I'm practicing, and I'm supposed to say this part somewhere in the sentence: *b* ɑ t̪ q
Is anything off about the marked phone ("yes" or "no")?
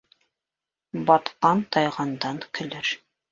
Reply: no